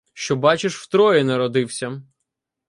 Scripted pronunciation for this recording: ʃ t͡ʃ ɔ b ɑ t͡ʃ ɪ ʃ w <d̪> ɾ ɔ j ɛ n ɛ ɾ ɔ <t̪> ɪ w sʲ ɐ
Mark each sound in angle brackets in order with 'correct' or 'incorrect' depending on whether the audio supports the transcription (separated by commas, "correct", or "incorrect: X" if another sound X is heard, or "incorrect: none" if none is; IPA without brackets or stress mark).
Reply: incorrect: t̪, incorrect: d̪